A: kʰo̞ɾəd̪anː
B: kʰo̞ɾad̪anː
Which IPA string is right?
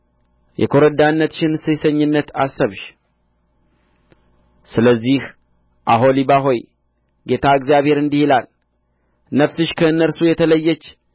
A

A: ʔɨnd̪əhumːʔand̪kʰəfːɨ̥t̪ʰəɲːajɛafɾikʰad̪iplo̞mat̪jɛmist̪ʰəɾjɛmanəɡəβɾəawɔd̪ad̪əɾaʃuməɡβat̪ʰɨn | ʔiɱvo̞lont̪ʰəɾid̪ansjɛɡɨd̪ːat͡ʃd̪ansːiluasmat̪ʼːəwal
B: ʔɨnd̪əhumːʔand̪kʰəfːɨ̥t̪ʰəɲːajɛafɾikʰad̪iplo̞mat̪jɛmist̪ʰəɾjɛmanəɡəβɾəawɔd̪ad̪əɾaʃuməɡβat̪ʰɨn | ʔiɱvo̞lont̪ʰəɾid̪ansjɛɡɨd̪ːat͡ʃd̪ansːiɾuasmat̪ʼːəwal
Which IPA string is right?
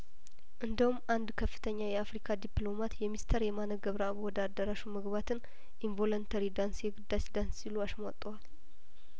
A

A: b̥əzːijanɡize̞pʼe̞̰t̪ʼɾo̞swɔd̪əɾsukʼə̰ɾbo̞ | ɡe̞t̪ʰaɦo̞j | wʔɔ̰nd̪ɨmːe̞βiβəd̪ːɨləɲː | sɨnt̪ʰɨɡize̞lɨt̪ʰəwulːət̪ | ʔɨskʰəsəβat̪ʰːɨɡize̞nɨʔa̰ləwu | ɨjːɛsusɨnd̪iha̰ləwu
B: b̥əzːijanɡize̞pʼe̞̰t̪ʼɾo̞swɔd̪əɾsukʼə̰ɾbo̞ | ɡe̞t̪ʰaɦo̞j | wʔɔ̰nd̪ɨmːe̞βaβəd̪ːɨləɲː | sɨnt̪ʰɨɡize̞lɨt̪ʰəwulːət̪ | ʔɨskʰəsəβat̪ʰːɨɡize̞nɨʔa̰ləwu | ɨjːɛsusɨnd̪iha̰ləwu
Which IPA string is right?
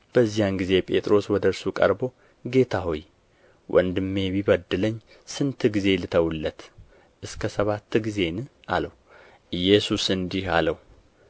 A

